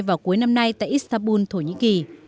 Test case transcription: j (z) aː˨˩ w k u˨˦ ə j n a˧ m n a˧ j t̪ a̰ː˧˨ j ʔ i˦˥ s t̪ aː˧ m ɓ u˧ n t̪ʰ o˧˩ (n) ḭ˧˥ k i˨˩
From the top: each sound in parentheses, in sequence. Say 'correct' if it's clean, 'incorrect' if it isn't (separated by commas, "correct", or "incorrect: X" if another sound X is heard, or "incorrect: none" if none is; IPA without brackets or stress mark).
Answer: incorrect: v, incorrect: ɲ